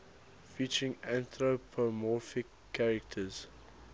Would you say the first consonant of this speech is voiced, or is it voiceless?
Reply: voiceless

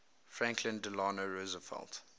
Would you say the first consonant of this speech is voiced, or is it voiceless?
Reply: voiceless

